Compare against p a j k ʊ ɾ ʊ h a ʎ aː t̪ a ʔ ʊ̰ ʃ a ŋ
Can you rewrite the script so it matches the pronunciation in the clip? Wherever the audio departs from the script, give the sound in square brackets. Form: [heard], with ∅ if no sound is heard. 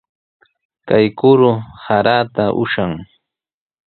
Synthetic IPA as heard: [k] a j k ʊ ɾ ʊ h a [ɾ] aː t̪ a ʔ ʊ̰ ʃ a ŋ